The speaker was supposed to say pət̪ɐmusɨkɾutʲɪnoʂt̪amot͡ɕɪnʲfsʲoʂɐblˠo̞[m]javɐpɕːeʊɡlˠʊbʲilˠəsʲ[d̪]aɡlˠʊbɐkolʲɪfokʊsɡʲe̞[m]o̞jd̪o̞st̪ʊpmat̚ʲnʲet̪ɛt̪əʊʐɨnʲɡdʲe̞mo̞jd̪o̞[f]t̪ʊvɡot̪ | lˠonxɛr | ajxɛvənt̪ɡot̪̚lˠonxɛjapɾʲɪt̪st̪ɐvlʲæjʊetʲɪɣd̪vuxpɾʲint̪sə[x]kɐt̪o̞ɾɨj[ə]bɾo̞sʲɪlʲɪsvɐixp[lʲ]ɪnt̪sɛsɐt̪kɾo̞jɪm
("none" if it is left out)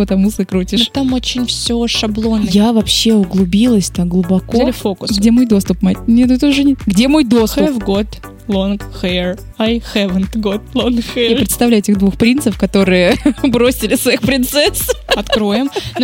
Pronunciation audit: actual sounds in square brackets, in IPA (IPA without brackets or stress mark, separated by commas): n, t̪, m, s, f, ə, ɾʲ